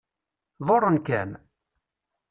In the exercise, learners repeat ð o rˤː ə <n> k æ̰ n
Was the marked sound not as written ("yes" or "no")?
no